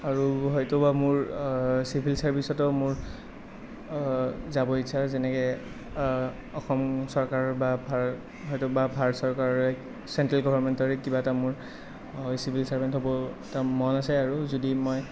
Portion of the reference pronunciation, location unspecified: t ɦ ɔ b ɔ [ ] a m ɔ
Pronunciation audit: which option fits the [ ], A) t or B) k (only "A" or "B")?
A